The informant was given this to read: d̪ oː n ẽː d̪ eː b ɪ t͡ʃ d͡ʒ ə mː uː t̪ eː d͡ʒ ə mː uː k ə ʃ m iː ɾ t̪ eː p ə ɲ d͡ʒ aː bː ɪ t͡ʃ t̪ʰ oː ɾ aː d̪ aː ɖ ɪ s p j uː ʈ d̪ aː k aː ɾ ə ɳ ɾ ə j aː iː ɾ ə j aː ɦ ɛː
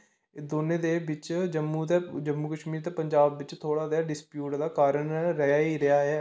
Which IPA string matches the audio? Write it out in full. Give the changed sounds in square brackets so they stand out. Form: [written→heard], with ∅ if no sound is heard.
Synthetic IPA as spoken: d̪ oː n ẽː d̪ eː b ɪ t͡ʃ d͡ʒ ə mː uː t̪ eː d͡ʒ ə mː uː k ə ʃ m iː ɾ t̪ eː p ə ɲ d͡ʒ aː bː ɪ t͡ʃ t̪ʰ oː [ɾ→ɽ] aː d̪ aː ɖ ɪ s p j uː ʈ d̪ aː k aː ɾ ə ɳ ɾ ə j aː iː ɾ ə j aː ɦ ɛː